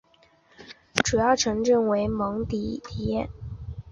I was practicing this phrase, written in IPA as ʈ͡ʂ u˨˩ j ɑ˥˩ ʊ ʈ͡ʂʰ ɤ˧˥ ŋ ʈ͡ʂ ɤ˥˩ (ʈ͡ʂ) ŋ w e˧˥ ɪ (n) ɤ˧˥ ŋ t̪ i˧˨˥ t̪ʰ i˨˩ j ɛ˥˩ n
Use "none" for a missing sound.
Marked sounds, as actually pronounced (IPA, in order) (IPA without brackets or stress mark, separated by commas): none, m